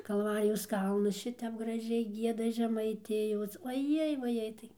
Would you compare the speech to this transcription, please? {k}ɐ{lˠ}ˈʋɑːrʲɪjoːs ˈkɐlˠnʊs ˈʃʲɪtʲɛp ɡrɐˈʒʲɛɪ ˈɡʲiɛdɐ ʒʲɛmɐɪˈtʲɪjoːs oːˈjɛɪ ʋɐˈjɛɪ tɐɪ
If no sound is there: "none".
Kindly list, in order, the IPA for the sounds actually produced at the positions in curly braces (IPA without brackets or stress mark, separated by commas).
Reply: k, lˠ